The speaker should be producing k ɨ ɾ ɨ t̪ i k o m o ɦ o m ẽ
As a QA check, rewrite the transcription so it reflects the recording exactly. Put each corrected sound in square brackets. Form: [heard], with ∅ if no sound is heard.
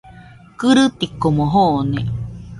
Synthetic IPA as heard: k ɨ ɾ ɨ t̪ i k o m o ɦ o [n] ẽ